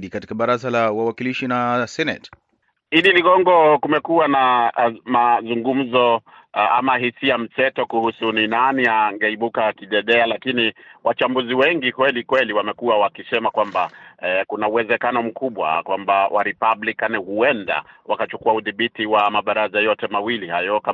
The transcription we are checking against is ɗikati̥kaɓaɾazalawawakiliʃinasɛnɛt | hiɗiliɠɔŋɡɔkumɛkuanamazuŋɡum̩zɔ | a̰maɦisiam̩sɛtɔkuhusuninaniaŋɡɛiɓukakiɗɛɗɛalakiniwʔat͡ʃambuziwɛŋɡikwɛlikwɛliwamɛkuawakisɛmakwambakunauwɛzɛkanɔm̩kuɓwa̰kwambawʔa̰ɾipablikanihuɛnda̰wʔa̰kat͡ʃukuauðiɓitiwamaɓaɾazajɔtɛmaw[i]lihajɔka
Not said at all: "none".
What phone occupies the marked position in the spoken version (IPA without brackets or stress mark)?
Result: i